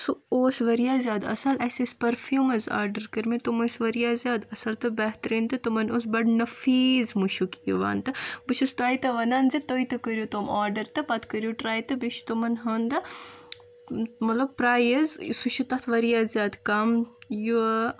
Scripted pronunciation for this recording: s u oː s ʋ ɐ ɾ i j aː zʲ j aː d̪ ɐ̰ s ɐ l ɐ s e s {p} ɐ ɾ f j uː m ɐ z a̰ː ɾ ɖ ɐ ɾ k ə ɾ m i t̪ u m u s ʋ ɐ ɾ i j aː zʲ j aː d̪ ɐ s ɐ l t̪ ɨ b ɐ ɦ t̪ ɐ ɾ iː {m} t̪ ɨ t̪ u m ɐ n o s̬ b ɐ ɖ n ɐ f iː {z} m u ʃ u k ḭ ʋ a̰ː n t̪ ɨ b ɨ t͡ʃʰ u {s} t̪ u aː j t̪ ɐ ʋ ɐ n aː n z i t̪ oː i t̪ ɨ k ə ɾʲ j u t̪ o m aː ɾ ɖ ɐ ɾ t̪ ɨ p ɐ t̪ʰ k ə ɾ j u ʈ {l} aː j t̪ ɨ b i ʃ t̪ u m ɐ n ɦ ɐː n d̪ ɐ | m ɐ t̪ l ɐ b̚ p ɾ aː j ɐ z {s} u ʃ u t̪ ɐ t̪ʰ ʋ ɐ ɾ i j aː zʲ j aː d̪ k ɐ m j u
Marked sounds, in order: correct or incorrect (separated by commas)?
correct, incorrect, correct, correct, incorrect, correct